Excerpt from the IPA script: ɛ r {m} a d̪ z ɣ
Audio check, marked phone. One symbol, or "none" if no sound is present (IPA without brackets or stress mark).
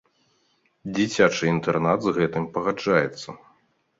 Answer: n